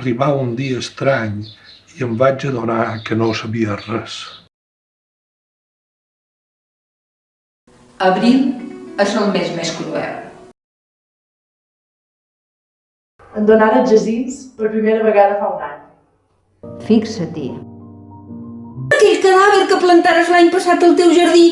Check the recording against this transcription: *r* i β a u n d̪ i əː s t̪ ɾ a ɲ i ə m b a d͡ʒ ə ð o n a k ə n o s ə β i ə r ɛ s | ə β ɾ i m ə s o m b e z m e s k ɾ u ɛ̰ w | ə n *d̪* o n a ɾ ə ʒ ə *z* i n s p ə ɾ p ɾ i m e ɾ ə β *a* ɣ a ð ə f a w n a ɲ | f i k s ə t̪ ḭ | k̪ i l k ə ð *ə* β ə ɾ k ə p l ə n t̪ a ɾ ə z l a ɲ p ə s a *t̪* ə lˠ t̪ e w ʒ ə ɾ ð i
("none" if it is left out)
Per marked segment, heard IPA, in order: r, d̪, z, ə, a, t̪

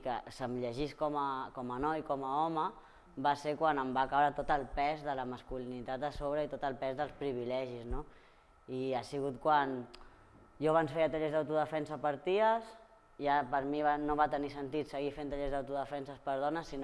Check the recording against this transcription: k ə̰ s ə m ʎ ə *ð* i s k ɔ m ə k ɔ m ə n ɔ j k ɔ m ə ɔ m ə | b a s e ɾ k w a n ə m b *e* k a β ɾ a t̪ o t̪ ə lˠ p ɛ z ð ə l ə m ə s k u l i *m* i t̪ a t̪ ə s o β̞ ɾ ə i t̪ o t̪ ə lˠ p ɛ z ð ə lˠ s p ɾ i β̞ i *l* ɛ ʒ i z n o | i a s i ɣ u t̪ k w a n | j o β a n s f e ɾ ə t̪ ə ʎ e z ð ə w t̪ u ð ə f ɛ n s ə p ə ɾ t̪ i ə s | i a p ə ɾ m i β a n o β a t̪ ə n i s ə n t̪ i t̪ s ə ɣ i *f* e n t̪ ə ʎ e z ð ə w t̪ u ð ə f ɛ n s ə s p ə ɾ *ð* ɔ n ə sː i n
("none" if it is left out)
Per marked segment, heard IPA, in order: ʒ, a, n, l, f, ð

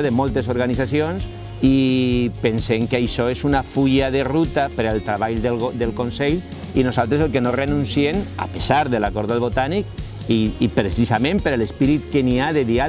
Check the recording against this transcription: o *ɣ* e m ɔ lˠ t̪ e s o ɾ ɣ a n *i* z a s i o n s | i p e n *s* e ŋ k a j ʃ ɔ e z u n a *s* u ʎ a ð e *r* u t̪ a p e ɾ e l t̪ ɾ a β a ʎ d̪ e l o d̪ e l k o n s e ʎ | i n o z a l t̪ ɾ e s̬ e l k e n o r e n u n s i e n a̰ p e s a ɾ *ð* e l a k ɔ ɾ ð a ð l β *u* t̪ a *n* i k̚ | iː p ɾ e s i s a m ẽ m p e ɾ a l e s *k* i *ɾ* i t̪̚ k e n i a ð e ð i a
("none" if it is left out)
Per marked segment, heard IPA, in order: ð, i, s, f, r, ð, o, n, p, ɾ

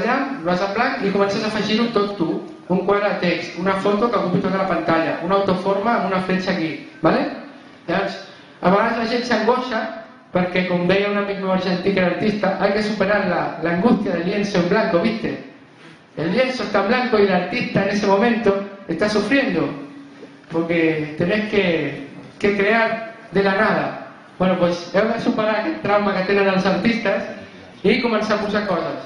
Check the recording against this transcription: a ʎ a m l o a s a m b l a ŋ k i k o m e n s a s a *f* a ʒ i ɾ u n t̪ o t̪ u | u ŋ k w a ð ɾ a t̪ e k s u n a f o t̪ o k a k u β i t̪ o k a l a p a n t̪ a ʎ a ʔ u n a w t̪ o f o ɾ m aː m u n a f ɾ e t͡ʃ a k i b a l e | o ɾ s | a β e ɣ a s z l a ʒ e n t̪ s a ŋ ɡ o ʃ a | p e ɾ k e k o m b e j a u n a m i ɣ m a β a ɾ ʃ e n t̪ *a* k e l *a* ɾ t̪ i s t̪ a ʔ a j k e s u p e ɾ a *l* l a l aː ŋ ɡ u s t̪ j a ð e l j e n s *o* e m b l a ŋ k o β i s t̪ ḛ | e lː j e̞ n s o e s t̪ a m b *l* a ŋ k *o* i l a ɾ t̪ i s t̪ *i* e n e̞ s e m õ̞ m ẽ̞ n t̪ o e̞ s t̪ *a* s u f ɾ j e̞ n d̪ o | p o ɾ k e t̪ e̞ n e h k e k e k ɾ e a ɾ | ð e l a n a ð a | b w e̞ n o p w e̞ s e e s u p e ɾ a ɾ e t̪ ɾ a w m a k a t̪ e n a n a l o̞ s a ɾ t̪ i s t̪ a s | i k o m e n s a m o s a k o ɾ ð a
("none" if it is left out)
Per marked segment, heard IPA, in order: f, i, a, ɾ, o, l, o, a, a

